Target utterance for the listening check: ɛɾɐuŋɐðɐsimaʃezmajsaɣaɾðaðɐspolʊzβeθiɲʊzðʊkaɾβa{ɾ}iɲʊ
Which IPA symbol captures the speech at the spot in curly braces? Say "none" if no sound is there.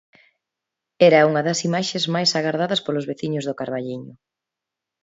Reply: ʎ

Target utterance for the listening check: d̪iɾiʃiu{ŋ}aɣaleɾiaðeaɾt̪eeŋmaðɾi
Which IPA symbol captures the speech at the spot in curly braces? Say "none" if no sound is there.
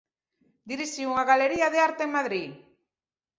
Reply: ŋ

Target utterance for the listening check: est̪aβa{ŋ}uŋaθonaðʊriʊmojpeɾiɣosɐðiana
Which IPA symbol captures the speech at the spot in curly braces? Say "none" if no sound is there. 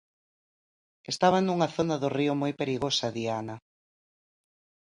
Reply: n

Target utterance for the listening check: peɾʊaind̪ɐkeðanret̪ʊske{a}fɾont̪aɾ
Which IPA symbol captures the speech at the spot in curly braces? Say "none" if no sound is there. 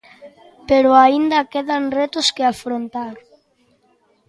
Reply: a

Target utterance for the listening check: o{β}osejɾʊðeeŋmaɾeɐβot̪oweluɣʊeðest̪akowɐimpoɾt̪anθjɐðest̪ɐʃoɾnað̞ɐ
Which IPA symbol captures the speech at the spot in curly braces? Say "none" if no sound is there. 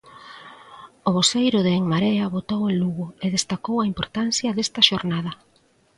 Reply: β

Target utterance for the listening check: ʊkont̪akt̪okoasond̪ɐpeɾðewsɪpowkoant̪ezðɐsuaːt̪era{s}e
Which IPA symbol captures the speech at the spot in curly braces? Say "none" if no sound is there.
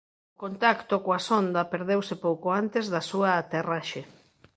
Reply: ʃ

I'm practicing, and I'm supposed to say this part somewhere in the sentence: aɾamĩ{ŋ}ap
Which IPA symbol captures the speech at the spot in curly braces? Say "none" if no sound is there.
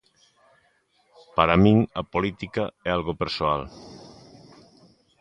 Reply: ŋ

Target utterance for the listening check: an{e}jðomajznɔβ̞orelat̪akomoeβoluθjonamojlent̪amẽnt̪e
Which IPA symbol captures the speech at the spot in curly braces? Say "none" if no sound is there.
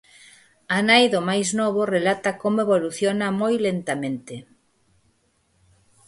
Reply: a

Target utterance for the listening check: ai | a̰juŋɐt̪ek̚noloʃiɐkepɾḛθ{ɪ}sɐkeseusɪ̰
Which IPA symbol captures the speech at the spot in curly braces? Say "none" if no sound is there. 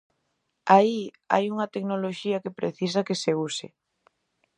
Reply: i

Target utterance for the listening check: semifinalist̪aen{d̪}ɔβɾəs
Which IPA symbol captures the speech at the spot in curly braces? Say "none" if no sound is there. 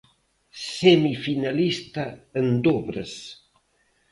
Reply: d̪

